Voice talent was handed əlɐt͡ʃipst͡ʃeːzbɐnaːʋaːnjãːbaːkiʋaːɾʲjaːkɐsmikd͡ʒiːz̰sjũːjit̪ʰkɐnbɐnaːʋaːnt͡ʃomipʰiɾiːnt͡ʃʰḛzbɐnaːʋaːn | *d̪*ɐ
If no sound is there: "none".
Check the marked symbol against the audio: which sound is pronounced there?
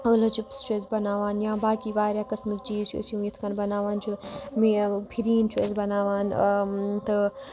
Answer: t̪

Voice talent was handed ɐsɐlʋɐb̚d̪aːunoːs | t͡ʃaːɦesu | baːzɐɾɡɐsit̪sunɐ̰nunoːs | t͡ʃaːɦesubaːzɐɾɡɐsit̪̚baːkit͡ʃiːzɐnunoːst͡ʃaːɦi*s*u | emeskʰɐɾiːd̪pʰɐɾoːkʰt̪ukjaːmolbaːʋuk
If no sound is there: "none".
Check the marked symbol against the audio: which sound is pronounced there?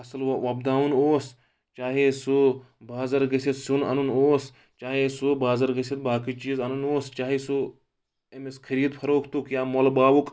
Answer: s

